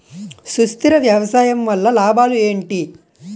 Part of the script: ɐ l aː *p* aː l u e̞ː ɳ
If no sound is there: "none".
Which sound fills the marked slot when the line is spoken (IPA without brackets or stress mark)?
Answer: b